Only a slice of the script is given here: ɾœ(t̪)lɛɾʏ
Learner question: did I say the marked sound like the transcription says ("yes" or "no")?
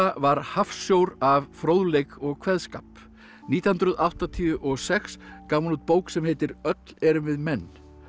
yes